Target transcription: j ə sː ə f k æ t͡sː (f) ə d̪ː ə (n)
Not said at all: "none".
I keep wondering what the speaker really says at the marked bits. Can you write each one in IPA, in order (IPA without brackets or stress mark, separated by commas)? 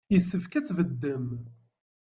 v, m